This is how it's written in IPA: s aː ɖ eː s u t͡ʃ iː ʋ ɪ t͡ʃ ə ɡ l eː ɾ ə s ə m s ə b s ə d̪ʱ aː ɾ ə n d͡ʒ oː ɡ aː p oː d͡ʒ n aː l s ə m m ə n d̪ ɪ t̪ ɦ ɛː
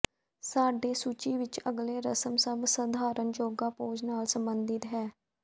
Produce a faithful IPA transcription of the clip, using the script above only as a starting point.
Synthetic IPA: s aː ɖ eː s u t͡ʃ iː ʋ ɪ t͡ʃ ə ɡ l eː ɾ ə s ə m s ə b s ə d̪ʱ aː ɾ ə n d͡ʒ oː ɡ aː p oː d͡ʒ n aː l s ə m b ə n d̪ ɪ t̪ ɦ ɛː